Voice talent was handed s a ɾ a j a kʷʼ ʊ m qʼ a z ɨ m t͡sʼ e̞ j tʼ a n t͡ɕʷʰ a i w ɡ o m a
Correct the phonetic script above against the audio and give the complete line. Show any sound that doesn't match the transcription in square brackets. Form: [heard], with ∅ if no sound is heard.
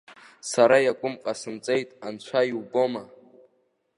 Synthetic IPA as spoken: s a ɾ a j a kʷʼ ʊ m qʼ a [s] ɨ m t͡sʼ e̞ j tʼ a n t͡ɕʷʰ a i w [b] o m a